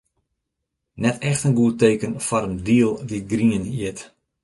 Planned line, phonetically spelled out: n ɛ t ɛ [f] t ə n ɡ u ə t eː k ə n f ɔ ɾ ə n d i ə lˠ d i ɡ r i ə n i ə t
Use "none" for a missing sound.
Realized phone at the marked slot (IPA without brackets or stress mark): x